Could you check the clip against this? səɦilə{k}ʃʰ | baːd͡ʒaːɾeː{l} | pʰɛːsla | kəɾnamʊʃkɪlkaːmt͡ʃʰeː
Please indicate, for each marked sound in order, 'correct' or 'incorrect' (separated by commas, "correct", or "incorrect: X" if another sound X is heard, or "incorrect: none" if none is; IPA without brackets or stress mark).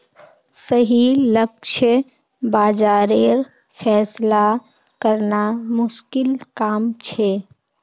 correct, incorrect: ɾ